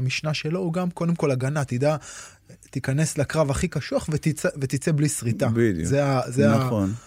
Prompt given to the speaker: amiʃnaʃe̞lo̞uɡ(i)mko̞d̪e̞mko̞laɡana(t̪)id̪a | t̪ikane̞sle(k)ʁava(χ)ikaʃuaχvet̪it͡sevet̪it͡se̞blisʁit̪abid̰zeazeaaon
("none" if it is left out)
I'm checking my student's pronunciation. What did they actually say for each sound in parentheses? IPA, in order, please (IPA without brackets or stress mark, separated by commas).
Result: a, t̪, k, χ